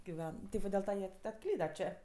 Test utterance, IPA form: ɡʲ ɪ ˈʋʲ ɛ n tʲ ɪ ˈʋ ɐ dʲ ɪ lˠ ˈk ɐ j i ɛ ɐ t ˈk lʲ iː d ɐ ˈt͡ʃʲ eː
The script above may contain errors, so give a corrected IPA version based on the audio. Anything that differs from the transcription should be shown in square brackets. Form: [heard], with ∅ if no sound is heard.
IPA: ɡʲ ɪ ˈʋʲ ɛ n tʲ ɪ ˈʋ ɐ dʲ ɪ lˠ [ˈt] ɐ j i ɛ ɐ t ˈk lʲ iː d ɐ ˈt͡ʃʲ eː